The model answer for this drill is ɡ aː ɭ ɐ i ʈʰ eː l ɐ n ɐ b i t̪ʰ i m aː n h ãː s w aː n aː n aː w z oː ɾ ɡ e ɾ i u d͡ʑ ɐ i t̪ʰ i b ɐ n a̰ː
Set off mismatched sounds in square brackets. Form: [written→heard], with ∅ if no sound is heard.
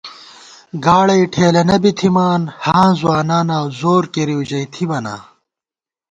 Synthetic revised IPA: ɡ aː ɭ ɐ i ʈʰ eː l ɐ n ɐ b i t̪ʰ i m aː n h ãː [s→z] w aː n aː n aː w z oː ɾ [ɡ→k] e ɾ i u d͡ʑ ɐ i t̪ʰ i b ɐ n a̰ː